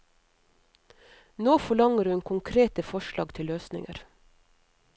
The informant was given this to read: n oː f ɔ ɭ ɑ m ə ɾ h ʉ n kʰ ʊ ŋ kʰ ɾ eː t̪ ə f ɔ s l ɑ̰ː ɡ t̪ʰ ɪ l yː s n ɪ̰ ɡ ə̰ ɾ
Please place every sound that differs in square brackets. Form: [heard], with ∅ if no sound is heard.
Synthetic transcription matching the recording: n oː f ɔ ɭ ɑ [ŋ] ə ɾ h ʉ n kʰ ʊ ŋ kʰ ɾ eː t̪ ə f ɔ [ʃ] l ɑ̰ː ɡ t̪ʰ ɪ l [øː] s n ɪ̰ [ŋ] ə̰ ɾ